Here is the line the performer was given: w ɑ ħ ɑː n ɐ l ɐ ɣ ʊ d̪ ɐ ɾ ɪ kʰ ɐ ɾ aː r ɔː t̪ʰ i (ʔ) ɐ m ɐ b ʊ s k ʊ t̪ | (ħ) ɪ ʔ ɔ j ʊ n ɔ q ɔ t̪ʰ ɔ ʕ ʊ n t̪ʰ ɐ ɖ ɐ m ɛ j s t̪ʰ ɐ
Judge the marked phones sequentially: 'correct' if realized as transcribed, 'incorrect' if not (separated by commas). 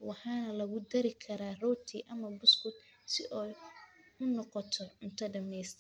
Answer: correct, incorrect